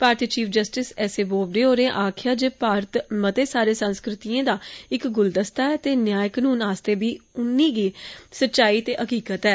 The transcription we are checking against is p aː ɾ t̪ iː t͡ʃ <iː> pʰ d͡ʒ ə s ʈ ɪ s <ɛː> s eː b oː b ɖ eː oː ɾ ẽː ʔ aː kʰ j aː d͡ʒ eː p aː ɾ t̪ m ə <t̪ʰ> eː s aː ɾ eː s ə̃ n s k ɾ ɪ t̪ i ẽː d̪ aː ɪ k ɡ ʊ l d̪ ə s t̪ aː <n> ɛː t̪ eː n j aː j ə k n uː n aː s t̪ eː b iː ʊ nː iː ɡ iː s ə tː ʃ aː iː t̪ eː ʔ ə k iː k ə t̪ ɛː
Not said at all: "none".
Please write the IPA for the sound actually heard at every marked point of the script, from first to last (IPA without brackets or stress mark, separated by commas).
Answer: iː, ɛː, t̪, none